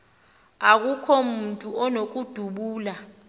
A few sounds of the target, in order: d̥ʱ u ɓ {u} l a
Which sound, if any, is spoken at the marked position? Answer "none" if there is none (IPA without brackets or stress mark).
uː